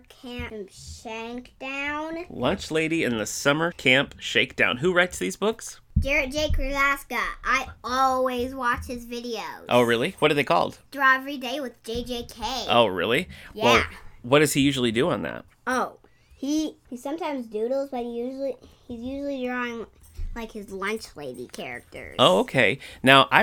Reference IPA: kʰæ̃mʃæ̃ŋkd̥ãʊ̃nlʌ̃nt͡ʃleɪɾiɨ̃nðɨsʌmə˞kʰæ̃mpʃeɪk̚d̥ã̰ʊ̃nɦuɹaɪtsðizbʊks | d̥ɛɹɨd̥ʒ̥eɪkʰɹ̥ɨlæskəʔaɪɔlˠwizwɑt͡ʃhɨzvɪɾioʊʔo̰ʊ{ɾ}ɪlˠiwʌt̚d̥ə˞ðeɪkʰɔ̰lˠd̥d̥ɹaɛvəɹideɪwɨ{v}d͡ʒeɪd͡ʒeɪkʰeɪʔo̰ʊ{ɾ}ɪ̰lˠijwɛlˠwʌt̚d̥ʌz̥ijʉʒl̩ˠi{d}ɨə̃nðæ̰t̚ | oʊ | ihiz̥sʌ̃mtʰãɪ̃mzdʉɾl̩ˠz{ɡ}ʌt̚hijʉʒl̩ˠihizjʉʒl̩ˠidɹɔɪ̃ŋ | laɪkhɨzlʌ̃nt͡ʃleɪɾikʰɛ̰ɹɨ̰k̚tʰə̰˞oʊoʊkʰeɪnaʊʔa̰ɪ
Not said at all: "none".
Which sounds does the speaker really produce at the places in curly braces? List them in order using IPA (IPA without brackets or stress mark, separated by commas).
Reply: ɹ, ð, ɹ, d, b